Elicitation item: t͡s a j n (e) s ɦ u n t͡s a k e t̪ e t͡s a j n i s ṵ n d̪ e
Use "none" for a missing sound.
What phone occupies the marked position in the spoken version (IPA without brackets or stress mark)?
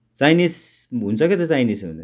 i